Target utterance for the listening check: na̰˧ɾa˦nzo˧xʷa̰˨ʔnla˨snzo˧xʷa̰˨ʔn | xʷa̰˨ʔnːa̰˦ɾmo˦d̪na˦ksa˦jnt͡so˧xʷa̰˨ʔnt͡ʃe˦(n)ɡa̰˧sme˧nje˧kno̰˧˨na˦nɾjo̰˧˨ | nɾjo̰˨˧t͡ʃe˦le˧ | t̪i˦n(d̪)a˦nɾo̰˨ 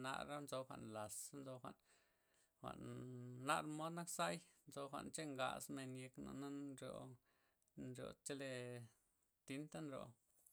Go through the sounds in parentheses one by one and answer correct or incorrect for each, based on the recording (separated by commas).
incorrect, incorrect